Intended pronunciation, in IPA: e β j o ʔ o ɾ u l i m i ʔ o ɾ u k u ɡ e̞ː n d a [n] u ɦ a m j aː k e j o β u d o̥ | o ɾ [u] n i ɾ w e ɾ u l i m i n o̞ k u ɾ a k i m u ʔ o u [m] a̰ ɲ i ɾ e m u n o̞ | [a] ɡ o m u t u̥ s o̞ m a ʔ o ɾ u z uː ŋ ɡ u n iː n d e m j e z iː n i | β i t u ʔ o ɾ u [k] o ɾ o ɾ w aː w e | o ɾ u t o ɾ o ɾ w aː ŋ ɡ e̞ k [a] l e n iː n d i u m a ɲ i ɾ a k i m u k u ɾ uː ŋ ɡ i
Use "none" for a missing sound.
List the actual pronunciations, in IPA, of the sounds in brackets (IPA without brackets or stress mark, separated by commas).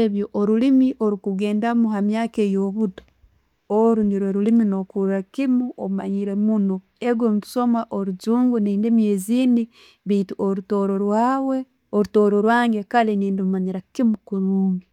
m, u, m, e, t, a